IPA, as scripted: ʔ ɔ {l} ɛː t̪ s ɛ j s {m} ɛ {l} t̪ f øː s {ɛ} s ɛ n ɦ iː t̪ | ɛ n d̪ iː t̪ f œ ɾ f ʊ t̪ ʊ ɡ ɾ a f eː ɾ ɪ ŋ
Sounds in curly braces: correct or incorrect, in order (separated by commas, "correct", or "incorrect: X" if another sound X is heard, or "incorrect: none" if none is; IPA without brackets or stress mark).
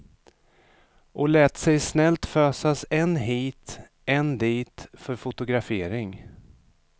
correct, incorrect: n, correct, incorrect: a